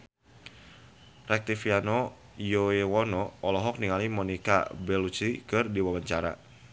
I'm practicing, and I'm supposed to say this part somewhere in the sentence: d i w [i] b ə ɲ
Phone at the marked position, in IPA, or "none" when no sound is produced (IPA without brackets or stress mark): a